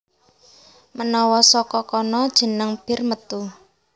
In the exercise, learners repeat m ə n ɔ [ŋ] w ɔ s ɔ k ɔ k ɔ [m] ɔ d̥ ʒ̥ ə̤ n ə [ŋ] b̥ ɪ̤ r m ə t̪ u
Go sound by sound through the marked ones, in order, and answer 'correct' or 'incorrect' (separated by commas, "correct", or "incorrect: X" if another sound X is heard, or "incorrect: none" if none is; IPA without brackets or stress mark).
incorrect: none, incorrect: n, correct